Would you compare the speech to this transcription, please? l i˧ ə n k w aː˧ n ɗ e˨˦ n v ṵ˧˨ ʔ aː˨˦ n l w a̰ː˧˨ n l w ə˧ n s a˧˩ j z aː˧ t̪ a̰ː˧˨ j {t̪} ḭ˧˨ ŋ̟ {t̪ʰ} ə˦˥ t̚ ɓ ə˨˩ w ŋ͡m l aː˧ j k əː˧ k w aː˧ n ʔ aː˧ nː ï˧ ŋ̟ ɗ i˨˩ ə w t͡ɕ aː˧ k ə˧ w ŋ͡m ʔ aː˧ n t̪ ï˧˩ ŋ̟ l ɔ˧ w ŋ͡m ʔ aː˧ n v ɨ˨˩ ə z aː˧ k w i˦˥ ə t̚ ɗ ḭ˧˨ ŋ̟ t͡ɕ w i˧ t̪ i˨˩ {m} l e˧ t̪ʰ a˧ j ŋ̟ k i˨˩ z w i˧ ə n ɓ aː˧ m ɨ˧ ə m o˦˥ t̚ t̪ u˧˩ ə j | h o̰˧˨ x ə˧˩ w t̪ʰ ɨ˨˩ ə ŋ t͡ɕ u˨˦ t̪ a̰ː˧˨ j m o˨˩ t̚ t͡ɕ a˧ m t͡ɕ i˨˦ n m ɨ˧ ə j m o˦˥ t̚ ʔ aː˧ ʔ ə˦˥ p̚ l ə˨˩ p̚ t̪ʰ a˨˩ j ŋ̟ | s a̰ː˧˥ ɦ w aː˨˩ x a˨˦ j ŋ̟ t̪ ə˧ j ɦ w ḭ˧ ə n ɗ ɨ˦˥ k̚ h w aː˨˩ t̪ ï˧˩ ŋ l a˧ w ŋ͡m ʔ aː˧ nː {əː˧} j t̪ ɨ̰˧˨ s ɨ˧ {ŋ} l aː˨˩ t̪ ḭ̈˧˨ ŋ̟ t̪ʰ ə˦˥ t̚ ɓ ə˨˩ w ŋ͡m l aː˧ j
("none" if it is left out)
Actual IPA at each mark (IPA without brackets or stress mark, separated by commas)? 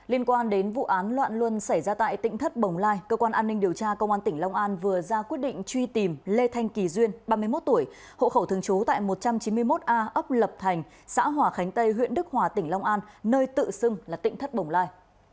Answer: t̪, t̪ʰ, m, əː˧, ŋ